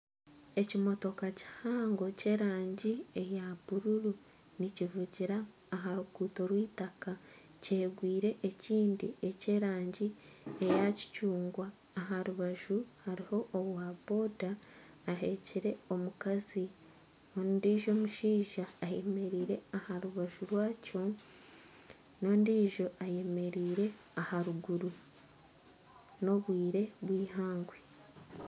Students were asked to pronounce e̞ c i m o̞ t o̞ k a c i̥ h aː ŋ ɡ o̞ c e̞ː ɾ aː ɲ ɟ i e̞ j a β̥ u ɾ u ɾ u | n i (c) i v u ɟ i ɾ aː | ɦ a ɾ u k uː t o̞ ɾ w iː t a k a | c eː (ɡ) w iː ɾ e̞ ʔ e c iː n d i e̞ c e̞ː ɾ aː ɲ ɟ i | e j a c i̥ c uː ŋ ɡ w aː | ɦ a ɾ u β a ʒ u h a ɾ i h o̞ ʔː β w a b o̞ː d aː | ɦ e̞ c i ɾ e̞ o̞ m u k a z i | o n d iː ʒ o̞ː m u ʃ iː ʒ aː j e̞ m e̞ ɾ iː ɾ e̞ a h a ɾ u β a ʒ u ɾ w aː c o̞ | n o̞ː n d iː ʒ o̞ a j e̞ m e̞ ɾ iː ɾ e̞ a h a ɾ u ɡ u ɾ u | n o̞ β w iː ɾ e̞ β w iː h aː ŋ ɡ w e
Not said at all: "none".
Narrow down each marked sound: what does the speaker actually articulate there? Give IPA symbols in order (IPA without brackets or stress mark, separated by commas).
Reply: c, ɡ